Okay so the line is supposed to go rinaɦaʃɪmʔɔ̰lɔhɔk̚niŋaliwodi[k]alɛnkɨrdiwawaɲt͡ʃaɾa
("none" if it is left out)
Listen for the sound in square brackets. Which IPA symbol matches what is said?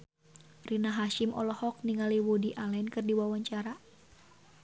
ʔ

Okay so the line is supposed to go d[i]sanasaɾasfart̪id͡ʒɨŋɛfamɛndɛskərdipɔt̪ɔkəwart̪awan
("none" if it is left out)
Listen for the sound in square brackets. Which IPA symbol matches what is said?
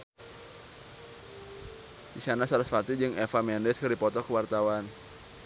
i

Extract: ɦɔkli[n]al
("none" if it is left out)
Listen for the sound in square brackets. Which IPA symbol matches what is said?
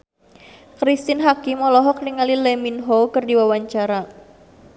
ŋ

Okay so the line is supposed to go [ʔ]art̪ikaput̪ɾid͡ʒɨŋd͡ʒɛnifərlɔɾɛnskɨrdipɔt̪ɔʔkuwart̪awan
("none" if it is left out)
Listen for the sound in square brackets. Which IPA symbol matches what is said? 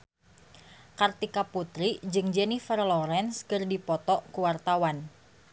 k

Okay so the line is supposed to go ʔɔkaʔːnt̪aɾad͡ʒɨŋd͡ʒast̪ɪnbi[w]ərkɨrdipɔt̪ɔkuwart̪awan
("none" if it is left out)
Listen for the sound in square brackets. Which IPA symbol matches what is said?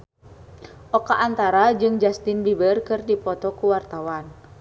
b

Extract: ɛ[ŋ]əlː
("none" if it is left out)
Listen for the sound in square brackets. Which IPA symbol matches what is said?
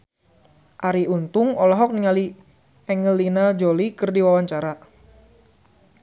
ŋ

